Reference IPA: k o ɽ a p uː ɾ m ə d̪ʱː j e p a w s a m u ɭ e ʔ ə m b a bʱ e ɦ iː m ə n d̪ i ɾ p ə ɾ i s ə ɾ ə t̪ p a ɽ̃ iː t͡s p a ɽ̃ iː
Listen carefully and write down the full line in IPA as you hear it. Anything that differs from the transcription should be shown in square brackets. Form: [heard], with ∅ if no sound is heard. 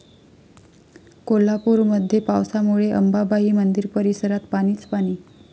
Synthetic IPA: k o [l] a p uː ɾ m ə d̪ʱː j e p a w s a m u ɭ e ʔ ə m b a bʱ [a] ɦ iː m ə n d̪ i ɾ p ə ɾ i s ə ɾ [a] t̪ p a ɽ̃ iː t͡s p a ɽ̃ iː